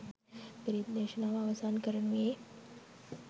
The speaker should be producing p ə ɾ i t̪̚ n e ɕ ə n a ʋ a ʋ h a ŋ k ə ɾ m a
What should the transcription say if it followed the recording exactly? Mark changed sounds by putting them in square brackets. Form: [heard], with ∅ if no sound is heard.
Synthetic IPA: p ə ɾ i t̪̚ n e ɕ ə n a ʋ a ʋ [s] a [n] k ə ɾ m [e]